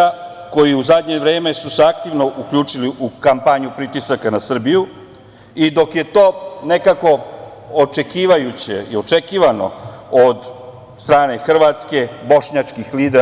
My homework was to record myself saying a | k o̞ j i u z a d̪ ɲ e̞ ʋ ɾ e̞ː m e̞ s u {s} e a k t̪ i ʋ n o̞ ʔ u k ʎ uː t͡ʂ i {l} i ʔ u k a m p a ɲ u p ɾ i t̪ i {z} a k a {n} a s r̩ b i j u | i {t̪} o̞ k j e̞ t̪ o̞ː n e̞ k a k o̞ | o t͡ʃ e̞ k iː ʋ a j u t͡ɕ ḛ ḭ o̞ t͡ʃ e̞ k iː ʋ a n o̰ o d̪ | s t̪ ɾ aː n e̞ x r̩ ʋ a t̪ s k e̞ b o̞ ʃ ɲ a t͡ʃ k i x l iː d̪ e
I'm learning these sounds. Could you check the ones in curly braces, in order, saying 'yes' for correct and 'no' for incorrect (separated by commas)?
yes, yes, no, yes, no